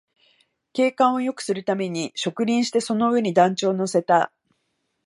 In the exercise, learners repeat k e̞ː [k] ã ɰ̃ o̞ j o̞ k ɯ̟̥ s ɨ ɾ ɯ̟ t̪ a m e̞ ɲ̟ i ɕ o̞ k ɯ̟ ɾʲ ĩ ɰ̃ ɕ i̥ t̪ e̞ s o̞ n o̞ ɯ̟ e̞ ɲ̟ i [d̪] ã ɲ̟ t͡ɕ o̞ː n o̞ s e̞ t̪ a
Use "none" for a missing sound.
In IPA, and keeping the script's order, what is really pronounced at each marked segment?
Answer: k, d̪

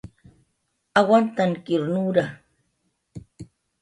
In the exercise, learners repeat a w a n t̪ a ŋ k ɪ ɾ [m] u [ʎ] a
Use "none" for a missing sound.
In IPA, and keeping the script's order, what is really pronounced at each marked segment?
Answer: n, ɾ

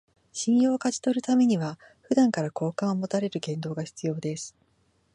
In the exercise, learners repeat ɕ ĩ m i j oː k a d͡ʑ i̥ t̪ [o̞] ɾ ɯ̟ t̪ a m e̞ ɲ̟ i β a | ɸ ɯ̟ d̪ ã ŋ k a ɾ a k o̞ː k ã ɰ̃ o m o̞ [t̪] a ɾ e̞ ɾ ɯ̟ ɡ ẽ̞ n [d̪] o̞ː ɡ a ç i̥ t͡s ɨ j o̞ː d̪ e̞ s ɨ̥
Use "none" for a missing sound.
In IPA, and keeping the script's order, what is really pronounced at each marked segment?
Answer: o̞, t̪, d̪

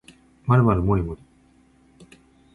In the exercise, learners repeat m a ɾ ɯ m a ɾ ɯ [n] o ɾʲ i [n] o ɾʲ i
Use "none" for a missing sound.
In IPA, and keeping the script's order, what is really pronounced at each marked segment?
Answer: m, m

